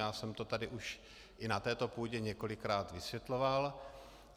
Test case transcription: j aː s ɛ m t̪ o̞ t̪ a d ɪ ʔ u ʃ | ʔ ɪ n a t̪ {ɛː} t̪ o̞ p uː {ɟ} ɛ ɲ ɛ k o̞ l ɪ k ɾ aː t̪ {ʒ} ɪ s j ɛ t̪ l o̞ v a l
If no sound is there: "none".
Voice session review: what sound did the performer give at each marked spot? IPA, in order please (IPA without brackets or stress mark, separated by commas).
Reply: ɛː, ɟ, v